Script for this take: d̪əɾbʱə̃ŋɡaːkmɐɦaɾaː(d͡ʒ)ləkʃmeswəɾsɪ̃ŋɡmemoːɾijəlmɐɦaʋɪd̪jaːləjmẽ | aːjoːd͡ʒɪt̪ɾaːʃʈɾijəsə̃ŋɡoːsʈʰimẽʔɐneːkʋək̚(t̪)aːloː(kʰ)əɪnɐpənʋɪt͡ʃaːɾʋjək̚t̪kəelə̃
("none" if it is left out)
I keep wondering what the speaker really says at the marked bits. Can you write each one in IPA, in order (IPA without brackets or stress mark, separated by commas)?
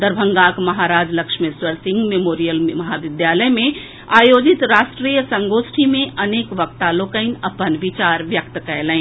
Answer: d͡ʒ, t̪, k